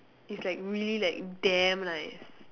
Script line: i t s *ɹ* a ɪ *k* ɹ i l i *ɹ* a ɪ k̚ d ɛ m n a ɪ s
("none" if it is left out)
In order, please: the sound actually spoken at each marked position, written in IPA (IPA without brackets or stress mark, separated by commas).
l, k, l